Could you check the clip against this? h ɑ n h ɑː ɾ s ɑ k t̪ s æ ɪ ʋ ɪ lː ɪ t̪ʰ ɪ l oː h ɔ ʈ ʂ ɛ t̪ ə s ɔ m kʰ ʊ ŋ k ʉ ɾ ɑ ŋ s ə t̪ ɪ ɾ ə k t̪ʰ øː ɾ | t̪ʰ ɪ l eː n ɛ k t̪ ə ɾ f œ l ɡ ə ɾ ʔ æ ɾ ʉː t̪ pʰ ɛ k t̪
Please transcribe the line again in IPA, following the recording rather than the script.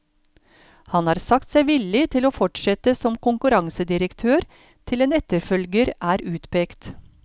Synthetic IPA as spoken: h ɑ n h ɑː ɾ s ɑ k t̪ s æ ɪ ʋ ɪ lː ɪ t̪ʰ ɪ l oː f ɔ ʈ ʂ ɛ t̪ ə s ɔ m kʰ ʊ ŋ k ʉ ɾ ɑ ŋ s ə d̪ ɪ ɾ ə k t̪ʰ øː ɾ | t̪ʰ ɪ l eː n ɛ t̪ ə ɾ f œ l ɡ ə ɾ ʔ æː ɾ ʉː t̪ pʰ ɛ k t̪